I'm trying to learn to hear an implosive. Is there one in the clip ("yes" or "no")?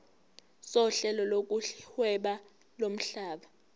yes